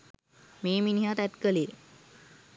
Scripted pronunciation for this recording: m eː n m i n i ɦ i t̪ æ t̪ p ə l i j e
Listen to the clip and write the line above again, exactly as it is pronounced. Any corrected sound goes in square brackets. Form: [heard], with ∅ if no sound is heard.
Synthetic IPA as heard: m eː [∅] m i n i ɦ [a] t̪ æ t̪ [k] ə l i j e